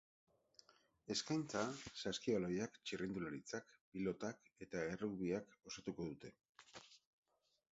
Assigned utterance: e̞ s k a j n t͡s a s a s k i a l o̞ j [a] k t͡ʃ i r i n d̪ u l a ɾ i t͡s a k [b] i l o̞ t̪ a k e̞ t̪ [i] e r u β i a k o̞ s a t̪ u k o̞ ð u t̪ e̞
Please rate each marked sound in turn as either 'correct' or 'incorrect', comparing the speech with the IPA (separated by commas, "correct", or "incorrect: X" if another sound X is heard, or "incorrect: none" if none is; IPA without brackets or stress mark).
correct, incorrect: p, incorrect: a